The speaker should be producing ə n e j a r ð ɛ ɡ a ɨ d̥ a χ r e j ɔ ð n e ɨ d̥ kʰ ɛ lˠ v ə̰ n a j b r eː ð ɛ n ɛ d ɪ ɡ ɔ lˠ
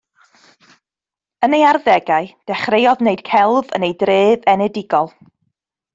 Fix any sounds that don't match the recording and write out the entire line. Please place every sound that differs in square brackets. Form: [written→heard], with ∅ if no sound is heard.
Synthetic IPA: ə n e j a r ð ɛ ɡ a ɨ d̥ [a→ɛ] χ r e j ɔ ð n e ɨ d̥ kʰ ɛ lˠ v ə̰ n [a→e] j [b→d] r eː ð ɛ n ɛ d ɪ ɡ ɔ lˠ